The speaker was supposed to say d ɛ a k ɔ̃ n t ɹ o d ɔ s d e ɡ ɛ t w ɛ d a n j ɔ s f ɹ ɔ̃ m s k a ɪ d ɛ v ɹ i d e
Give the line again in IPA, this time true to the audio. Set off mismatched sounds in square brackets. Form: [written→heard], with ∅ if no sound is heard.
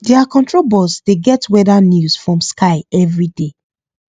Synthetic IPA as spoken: d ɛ a k ɔ̃ n t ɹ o [d→b] ɔ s d e ɡ ɛ t w ɛ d a n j [ɔ→u] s f ɹ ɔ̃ m s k a ɪ [d→∅] ɛ v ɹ i d e

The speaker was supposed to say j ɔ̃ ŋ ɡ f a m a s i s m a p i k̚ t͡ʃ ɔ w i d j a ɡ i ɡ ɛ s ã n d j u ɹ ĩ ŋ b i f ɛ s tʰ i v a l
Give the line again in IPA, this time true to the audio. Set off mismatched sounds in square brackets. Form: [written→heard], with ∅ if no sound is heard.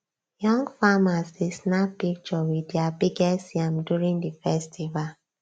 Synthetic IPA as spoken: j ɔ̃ ŋ ɡ f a m a s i s [m→n] a p i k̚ t͡ʃ ɔ w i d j a [ɡ→b] i ɡ ɛ s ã [n→m] d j u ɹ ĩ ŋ [b→d] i f ɛ s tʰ i v a l

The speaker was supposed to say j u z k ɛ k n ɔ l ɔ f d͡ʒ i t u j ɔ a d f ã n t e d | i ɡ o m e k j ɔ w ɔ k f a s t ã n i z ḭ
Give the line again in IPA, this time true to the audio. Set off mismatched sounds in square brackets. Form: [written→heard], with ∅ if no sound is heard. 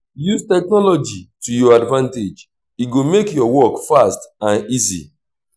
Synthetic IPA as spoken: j u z [k→t] ɛ k n ɔ l ɔ [f→∅] d͡ʒ i t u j ɔ a d [f→v] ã n t e [d→d͡ʒ] | i ɡ o m e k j ɔ w ɔ k f a s t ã n i z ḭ

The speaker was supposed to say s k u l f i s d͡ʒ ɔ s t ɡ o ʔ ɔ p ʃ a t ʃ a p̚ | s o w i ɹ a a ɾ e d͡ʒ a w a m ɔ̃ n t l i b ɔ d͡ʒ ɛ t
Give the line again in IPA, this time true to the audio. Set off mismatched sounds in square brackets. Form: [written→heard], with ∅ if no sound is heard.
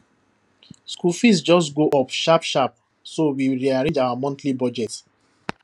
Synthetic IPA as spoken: s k u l f i s d͡ʒ ɔ s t ɡ o ʔ ɔ p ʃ a [t→p] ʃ a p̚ | s o w i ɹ [a→i] a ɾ [e→ẽ] d͡ʒ a w a m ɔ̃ n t l i b ɔ d͡ʒ ɛ t

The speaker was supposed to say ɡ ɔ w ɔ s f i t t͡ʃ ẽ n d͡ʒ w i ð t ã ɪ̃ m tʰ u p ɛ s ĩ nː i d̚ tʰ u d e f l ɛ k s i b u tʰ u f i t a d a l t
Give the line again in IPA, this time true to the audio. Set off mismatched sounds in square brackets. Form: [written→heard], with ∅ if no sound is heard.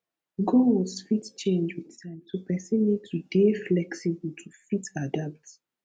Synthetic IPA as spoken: ɡ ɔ w ɔ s f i t t͡ʃ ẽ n d͡ʒ w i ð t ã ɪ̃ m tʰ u p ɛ s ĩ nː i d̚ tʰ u d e f l ɛ k s i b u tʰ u f i t a d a l t

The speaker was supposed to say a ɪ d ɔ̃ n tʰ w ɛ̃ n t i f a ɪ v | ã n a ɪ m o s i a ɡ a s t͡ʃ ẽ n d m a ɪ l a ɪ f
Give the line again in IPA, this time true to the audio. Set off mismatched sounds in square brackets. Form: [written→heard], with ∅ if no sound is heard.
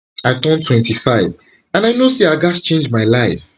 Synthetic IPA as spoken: a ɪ [d→t] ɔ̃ n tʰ w ɛ̃ n t i f a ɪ v | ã n a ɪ [m→n] o s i a ɡ a s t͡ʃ ẽ n [d→d͡ʒ] m a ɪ l a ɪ f

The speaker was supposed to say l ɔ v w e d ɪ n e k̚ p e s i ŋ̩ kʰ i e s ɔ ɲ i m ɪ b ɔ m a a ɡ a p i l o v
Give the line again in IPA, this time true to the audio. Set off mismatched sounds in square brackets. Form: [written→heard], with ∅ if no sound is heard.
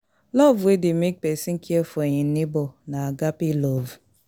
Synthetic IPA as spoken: l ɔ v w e d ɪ [n→m] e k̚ p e s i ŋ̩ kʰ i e [s→f] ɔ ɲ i [m→n] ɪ b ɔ [m→n] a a ɡ a p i l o v

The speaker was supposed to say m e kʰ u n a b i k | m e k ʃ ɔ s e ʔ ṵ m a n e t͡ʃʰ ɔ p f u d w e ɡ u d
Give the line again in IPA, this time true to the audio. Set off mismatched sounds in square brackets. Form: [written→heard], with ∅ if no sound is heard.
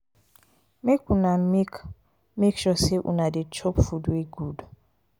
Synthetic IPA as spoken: m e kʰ u n a [b→m] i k | m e k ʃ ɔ s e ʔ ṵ [m→n] a [n→d] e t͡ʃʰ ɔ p f u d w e ɡ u d

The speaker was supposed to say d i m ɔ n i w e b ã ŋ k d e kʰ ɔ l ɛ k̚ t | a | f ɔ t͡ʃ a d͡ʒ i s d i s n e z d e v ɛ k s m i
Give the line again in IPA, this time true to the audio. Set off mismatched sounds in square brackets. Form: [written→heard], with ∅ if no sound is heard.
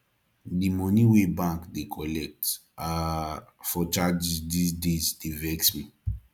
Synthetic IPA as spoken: d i m ɔ n i w e b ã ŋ k d e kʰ ɔ l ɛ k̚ t | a | f ɔ t͡ʃ a d͡ʒ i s d i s [n→d] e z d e v ɛ k s m i

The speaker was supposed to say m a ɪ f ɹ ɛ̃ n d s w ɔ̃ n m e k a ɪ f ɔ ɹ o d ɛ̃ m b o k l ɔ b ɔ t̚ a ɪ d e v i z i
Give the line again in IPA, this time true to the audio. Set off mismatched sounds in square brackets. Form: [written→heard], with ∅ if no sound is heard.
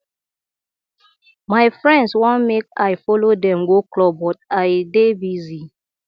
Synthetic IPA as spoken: m a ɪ f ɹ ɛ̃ n d s w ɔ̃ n m e k a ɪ f ɔ [ɹ→l] o d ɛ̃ m [b→ɡ] o k l ɔ b ɔ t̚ a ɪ d e [v→b] i z i

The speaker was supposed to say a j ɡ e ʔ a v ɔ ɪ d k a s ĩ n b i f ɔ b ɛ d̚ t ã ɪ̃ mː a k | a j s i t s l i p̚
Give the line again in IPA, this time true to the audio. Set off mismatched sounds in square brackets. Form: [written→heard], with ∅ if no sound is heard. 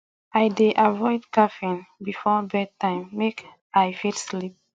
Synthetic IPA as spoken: a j [ɡ→d] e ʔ a v ɔ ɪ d k a [s→f] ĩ n b i f ɔ b ɛ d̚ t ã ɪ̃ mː [a→e] k | a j [s→f] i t s l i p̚

